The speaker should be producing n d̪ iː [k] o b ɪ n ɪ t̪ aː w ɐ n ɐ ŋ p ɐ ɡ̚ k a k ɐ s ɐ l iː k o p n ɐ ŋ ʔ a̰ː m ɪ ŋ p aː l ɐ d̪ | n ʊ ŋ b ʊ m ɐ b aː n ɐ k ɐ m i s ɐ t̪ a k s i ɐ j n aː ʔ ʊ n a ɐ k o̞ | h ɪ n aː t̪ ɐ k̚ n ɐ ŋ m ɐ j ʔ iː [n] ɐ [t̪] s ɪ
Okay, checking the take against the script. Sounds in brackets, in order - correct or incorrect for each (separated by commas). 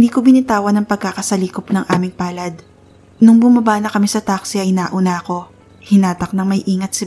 correct, incorrect, correct